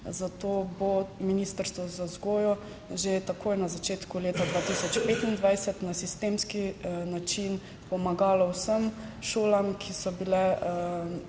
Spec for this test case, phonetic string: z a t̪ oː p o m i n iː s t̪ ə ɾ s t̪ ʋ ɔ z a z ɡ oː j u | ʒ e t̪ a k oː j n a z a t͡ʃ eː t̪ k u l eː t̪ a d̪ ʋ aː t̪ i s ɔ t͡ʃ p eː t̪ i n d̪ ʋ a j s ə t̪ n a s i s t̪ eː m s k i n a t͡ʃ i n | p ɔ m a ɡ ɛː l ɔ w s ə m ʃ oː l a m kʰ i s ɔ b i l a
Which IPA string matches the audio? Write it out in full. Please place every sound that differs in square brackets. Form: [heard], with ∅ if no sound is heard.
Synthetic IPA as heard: z a t̪ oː [b] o m i n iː s t̪ ə ɾ s t̪ ʋ ɔ z a z ɡ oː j [ɔ] | ʒ e t̪ a k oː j n a z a t͡ʃ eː t̪ k u l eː t̪ a d̪ ʋ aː t̪ i s ɔ t͡ʃ p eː t̪ i n d̪ ʋ a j s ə t̪ n a s i s t̪ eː m s k i n a t͡ʃ i n | p ɔ m a ɡ [aː] l ɔ w s ə m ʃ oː l a m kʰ i s ɔ b i l [ɛ]